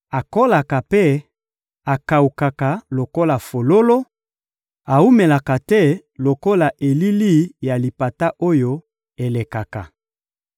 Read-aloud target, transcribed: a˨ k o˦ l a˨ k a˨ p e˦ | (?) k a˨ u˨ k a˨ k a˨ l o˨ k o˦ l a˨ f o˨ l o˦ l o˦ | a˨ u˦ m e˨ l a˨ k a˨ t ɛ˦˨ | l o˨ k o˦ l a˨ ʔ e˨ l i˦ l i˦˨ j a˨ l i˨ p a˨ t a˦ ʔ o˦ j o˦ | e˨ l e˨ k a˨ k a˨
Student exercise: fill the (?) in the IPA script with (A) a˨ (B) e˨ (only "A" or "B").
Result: A